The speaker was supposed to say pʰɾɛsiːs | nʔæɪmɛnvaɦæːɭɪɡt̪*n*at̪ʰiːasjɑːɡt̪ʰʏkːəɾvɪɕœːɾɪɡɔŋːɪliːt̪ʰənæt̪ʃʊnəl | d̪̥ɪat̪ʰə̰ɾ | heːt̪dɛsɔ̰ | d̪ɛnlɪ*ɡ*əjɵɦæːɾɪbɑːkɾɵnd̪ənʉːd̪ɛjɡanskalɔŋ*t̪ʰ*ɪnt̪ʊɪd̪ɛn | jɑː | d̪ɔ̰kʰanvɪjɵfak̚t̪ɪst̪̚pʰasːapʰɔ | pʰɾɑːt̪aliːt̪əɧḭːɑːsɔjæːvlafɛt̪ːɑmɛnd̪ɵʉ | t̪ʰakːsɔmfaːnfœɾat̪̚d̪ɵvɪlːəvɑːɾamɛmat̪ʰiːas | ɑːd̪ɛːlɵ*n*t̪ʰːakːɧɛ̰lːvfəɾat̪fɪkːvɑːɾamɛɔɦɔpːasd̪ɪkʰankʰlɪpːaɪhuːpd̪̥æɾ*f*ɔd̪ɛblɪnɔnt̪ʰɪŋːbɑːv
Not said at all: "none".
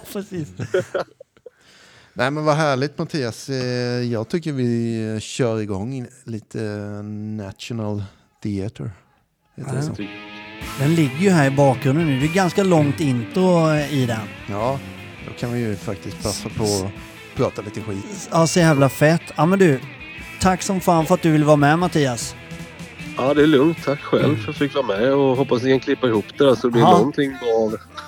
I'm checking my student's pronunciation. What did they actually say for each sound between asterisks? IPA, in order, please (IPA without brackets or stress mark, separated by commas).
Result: m, ɡː, t̪, ŋ, s